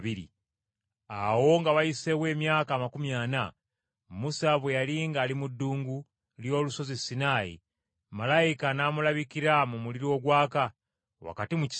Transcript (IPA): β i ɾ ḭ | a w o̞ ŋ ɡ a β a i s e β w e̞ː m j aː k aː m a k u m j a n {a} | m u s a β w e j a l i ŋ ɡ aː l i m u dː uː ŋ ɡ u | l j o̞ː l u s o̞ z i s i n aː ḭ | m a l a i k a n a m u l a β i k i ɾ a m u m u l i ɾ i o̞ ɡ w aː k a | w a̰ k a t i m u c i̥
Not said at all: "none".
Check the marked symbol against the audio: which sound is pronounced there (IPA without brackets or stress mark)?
a